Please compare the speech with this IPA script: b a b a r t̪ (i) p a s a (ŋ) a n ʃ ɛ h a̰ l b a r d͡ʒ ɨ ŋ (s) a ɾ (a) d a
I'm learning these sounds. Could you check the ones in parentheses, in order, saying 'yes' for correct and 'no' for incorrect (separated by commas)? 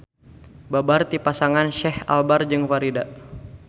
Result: yes, yes, no, no